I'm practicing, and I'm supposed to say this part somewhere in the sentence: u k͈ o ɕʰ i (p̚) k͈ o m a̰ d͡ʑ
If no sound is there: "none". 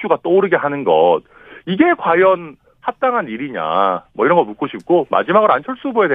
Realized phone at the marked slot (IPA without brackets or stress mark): p̚